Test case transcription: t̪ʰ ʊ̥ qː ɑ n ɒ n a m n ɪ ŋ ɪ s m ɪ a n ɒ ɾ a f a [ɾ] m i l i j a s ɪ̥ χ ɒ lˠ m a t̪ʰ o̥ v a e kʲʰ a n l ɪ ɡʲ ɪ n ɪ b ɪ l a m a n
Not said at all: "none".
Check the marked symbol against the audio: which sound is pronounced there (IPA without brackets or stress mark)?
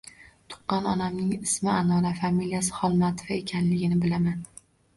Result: none